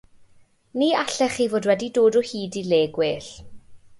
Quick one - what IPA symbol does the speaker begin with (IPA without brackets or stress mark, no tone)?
n